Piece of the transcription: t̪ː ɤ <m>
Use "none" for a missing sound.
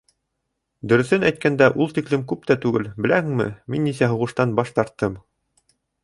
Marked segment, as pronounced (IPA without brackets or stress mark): m